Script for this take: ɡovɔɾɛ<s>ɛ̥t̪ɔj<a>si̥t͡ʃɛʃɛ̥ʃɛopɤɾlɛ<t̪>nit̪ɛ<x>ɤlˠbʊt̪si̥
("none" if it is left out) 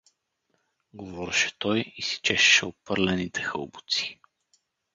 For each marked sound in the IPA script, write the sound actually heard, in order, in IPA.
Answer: ʃ, i, none, x

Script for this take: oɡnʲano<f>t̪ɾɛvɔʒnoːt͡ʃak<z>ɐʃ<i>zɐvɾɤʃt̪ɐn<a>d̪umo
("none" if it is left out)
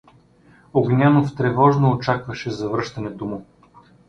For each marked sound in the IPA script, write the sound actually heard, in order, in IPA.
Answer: f, v, ɛ, ɛ

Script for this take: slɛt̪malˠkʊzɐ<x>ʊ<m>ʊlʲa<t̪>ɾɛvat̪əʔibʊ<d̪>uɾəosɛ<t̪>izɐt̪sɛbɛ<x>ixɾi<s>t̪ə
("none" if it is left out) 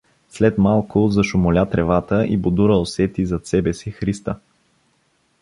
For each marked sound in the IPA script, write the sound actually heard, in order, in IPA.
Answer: ʃ, m, t̪, d̪, t̪, s, s

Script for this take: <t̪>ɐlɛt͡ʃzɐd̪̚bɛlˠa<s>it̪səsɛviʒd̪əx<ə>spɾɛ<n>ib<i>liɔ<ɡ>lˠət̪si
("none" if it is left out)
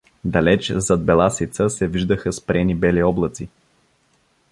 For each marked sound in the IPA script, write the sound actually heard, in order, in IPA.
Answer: d̪, s, ə, n, ɛ, b

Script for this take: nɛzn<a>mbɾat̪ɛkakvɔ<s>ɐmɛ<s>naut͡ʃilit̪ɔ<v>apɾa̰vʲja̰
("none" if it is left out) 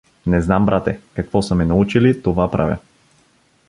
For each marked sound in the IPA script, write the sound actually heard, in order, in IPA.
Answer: a, s, none, v

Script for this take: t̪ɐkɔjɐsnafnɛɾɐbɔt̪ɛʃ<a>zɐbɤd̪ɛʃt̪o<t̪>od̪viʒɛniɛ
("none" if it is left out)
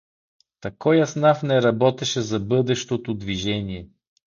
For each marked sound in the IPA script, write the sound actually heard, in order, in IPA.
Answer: ɛ, t̪

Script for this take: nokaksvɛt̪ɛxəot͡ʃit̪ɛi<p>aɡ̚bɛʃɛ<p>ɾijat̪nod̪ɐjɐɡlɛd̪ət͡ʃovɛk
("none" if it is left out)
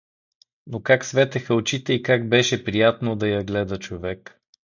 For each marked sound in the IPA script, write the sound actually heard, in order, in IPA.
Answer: k, p

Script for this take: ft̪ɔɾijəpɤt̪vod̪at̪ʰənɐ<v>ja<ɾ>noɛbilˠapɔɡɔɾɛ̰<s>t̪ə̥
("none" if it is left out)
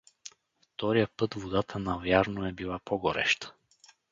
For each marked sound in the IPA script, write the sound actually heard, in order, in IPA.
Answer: v, ɾ, ʃ

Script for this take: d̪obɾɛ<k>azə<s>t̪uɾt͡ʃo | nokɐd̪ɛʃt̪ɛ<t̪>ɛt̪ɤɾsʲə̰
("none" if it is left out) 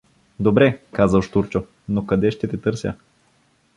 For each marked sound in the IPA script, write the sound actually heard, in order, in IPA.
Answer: k, ʃ, t̪

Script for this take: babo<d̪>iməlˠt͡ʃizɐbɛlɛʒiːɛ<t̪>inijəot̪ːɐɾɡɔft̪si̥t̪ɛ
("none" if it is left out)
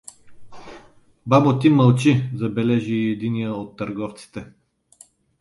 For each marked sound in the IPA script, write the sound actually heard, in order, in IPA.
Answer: t̪, d̪

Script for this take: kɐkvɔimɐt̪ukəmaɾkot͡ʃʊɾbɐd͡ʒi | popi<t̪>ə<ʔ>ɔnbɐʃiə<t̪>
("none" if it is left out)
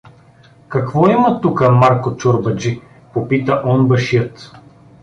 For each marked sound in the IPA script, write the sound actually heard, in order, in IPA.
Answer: t̪, ʔ, t̪

